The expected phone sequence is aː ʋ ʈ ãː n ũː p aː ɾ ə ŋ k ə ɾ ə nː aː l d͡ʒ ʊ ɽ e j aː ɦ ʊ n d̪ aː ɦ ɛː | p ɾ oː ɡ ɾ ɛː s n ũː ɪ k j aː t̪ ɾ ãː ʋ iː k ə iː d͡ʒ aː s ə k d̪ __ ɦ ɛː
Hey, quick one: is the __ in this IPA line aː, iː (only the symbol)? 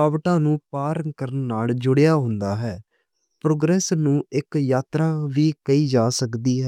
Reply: iː